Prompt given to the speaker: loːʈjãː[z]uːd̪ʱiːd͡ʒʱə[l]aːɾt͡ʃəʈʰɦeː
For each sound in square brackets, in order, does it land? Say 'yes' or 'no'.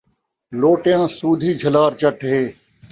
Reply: no, yes

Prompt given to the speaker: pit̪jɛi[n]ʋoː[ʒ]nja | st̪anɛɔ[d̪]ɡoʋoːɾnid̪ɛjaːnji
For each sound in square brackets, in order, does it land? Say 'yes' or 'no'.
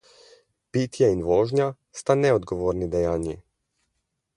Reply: yes, yes, yes

